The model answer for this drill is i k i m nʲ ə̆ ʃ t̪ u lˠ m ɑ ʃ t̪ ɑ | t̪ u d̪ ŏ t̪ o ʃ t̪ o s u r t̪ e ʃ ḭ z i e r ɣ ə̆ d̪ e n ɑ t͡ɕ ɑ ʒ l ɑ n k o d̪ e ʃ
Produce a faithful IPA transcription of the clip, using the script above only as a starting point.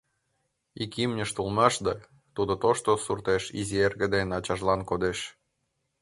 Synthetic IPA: i k i m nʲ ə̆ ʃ t̪ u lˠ m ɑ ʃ d̪ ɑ | t̪ u d̪ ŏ t̪ o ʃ t̪ o s u r t̪ e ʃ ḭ z i e r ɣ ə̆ d̪ e n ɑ t͡ɕ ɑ ʒ l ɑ n k o d̪ e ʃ